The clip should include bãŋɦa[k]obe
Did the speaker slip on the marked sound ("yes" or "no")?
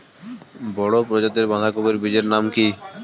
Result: no